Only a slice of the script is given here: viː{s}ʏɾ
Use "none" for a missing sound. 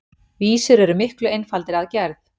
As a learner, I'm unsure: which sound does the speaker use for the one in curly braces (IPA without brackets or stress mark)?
s